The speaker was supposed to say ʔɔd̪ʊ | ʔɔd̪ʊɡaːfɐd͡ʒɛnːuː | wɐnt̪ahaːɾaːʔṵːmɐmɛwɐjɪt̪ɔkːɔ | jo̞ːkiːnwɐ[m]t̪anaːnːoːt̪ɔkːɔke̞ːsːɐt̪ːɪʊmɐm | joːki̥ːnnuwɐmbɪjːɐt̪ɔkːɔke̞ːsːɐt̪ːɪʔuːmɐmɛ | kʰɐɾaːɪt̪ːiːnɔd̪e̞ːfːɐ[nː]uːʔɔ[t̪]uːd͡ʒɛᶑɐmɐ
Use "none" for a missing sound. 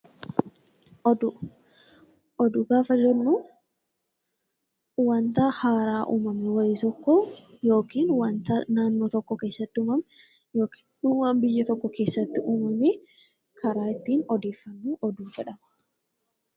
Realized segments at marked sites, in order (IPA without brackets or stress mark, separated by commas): n, nː, d̪